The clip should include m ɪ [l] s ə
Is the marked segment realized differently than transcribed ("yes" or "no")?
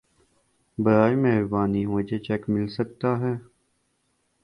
no